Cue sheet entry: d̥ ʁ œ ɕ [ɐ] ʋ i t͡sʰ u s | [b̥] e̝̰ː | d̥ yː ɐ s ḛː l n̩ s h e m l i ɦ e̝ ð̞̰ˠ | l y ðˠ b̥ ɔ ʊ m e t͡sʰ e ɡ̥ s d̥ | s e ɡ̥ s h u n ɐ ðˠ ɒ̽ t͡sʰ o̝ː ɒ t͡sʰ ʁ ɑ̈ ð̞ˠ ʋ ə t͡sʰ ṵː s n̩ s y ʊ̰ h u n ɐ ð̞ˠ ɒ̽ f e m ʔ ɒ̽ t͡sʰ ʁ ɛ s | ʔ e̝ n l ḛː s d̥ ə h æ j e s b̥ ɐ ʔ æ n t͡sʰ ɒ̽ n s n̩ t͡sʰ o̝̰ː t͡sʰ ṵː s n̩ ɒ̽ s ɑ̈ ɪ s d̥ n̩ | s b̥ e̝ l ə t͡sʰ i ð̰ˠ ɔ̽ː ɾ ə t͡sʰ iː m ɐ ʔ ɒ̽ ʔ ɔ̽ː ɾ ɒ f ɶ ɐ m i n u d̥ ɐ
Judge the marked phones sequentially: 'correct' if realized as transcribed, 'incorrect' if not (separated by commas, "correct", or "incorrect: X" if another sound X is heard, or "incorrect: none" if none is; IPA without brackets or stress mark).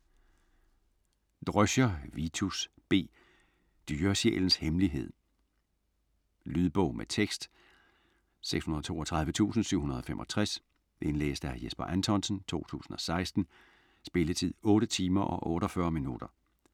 correct, correct